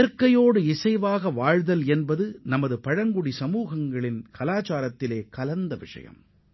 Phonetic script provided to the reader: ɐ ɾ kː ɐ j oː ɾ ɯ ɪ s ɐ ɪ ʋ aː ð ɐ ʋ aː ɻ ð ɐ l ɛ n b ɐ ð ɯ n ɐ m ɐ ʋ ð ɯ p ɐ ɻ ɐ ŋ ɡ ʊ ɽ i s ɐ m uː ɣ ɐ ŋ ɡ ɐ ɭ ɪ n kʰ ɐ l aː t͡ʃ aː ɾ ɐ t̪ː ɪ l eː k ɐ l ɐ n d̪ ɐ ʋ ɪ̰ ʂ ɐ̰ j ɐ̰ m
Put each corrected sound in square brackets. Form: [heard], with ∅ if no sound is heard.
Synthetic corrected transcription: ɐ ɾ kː ɐ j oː [ɽ] ɯ ɪ s ɐ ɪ ʋ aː [ɣ] ɐ ʋ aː ɻ ð ɐ l ɛ n b ɐ ð ɯ n ɐ m ɐ [∅] ð ɯ p ɐ ɻ ɐ ŋ ɡ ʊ ɽ i s ɐ m uː ɣ ɐ ŋ ɡ ɐ ɭ ɪ n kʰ ɐ l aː t͡ʃ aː ɾ ɐ t̪ː ɪ l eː k ɐ l ɐ n d̪ ɐ ʋ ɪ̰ ʂ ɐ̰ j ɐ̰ m